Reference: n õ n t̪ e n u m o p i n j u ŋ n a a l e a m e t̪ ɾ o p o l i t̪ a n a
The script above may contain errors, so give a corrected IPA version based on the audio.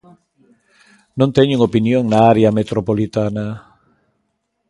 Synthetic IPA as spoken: n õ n t̪ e ɲ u ŋ o p i n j o ŋ n a a ɾ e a m e t̪ ɾ o p o l i t̪ a n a